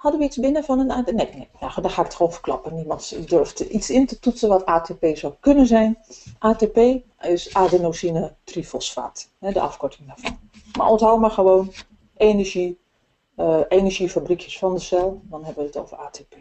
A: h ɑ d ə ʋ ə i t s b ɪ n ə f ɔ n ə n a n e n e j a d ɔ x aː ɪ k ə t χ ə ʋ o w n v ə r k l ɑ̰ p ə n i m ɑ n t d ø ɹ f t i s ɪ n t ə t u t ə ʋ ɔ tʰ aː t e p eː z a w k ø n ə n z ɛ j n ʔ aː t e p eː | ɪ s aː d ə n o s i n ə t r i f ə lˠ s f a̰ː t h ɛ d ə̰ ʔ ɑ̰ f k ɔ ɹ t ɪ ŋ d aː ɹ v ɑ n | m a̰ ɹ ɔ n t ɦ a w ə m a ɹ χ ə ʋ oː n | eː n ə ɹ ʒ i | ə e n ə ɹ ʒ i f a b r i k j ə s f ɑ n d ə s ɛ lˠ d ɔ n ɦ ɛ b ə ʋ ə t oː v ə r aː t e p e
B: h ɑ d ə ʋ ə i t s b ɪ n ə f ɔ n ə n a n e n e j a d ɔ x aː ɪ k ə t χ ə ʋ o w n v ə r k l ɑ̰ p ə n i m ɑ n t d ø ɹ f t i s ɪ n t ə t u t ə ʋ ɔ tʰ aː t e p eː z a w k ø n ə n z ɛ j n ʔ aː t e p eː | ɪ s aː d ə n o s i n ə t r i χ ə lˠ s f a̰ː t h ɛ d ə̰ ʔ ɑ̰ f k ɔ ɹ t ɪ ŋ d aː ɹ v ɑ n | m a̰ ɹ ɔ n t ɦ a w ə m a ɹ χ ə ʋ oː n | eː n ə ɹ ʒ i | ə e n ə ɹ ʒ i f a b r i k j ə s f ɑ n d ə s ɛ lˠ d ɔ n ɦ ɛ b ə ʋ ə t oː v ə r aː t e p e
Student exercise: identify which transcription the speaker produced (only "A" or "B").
A